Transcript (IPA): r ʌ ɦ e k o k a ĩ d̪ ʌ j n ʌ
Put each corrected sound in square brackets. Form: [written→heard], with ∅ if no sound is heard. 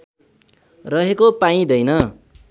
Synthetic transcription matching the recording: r ʌ ɦ e k o [k→p] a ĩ d̪ ʌ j n ʌ

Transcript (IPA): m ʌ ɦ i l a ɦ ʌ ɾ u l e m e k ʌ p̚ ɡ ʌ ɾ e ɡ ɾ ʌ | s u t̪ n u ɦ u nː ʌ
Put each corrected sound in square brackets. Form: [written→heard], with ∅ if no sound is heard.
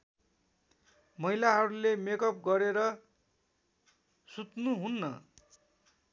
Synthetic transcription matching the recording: m ʌ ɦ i l a ɦ ʌ ɾ u l e m e k ʌ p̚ ɡ ʌ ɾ e [ɡ→∅] ɾ ʌ | s u t̪ n u ɦ u nː ʌ

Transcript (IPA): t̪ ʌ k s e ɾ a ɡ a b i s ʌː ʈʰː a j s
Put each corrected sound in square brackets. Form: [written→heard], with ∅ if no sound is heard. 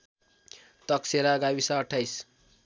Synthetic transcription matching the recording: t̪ ʌ k s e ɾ a ɡ a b i s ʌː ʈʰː a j s

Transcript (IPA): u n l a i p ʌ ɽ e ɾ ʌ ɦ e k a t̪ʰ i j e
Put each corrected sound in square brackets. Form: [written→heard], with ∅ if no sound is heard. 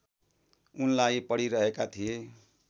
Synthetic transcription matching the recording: u n l a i p ʌ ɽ [e→i] ɾ ʌ ɦ e k a t̪ʰ i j e

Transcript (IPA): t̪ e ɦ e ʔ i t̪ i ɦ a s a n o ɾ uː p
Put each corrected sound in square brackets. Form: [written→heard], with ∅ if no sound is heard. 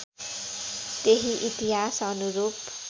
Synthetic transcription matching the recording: t̪ e ɦ [e→i] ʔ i t̪ i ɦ a s [a→ʌ] n [o→u] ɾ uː p

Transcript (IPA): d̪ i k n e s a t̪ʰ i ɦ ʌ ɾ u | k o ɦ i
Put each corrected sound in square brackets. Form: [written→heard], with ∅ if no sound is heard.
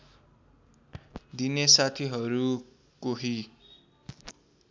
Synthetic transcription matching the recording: d̪ i [k→∅] n e s a t̪ʰ i ɦ ʌ ɾ u | k o ɦ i

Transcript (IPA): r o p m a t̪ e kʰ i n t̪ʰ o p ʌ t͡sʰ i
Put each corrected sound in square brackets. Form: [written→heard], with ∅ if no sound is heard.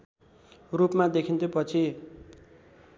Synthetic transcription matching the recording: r [o→u] p m a [t̪→d̪] e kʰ i n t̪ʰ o p ʌ t͡sʰ i

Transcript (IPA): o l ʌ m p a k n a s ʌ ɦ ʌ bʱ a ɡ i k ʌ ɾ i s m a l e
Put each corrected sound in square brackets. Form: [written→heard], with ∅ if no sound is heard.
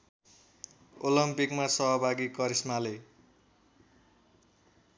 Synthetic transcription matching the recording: o l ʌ m p [a→i] k [n→m] a s ʌ ɦ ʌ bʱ a ɡ i k ʌ ɾ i s m a l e

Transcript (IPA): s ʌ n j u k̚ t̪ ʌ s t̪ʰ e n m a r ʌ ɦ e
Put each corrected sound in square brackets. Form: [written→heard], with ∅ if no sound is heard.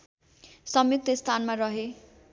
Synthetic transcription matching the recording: s ʌ [n→m] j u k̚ t̪ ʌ s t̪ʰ [e→a] n m a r ʌ ɦ e

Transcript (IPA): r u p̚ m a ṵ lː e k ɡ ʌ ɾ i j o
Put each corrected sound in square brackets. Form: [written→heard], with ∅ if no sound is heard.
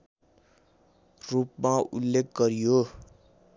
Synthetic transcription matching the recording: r u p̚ m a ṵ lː e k ɡ ʌ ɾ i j o

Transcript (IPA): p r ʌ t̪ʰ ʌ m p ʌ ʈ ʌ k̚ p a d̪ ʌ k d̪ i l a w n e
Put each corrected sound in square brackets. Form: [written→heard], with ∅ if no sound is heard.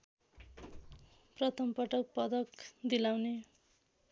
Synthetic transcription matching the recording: p r ʌ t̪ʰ ʌ m p ʌ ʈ ʌ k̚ p [a→ʌ] d̪ ʌ k d̪ i l a w n e

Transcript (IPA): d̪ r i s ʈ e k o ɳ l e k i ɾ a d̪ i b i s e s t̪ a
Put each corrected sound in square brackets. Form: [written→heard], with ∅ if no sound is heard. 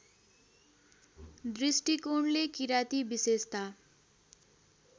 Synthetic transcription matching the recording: d̪ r i s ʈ [e→i] k o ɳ l e k i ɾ a [d̪→t̪] i b i s e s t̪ a

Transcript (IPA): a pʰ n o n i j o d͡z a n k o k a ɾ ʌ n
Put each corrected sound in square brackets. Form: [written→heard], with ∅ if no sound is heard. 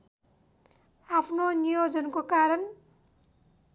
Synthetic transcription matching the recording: a pʰ n o n i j o d͡z [a→ʌ] n k o k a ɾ ʌ n

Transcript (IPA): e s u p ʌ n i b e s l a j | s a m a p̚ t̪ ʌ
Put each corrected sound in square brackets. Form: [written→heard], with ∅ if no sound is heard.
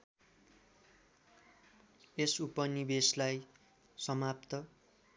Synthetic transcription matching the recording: e s u p ʌ n i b e s l a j | s [a→ʌ] m a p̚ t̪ ʌ

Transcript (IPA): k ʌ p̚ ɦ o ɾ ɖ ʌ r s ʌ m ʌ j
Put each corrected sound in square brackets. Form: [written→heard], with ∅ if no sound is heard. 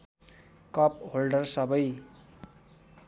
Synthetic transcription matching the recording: k ʌ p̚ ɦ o [ɾ→l] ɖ ʌ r s ʌ [m→b] ʌ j

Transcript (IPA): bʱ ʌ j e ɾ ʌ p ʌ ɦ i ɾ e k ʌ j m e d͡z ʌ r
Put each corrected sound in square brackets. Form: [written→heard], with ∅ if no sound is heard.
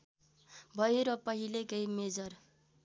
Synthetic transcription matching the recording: bʱ ʌ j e ɾ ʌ p ʌ ɦ i [ɾ→l] e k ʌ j m e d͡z ʌ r

